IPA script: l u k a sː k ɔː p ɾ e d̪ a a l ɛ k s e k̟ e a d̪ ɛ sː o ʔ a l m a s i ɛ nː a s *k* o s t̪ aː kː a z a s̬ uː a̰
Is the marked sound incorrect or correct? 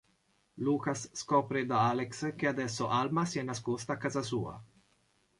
correct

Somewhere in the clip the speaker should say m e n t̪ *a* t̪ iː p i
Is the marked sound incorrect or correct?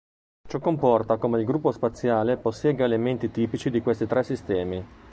incorrect: i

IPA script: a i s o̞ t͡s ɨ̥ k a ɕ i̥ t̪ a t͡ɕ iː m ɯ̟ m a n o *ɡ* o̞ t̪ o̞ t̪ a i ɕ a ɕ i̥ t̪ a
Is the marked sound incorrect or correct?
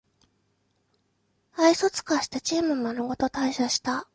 correct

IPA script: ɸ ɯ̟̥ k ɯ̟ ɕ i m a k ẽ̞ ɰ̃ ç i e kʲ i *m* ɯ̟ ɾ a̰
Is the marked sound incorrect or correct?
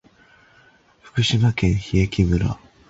correct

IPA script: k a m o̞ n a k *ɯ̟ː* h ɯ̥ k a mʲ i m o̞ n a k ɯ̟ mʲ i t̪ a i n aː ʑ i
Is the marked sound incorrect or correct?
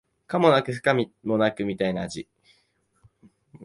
incorrect: ɯ̟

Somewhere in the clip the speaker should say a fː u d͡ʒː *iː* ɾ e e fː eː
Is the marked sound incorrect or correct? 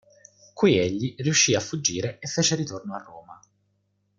correct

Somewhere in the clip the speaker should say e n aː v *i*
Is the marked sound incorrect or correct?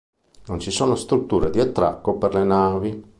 correct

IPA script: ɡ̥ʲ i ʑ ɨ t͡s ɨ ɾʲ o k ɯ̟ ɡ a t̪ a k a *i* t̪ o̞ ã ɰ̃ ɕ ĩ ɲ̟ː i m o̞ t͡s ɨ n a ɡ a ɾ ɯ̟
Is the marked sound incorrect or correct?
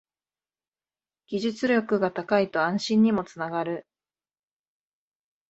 correct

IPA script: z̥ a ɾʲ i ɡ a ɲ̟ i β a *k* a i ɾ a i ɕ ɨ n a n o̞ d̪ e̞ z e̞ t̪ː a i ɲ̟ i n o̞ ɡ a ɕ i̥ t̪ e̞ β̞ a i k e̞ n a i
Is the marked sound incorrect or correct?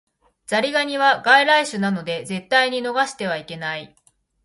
incorrect: ɡ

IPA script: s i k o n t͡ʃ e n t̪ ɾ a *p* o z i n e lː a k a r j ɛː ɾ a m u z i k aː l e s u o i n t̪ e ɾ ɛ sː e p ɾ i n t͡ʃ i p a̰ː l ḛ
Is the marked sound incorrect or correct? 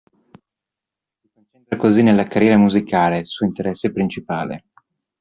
incorrect: k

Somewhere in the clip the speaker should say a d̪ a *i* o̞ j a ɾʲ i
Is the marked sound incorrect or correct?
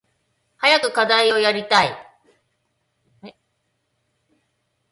correct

